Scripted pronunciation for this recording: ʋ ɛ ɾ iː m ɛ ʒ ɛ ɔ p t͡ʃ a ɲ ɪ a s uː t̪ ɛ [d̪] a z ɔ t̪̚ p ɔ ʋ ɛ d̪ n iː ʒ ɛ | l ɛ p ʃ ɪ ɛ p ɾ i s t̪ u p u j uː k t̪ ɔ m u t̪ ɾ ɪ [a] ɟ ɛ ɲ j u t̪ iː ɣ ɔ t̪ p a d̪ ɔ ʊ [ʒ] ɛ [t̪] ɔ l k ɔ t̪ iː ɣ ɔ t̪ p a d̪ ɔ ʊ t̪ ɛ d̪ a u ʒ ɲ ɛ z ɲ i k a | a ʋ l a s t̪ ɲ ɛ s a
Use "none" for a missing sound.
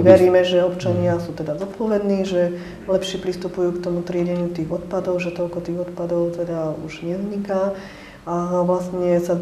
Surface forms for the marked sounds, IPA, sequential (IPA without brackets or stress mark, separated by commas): d̪, ɛ, ʒ, t̪